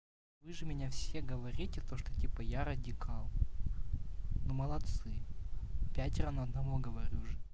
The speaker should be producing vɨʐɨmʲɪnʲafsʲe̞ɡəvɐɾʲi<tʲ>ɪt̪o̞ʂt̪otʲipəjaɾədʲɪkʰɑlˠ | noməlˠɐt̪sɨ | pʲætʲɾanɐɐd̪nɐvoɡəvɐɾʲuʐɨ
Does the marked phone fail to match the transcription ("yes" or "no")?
no